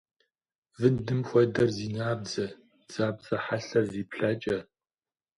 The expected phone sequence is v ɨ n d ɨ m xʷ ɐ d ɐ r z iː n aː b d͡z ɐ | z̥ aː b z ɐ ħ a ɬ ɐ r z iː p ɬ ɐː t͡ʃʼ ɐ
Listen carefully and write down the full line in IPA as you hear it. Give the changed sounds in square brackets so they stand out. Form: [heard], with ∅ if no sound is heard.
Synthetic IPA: v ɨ n d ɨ m xʷ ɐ d ɐ r z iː n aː b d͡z ɐ | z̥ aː b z ɐ ħ a ɬ ɐ r z iː p ɬ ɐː t͡ʃʼ ɐ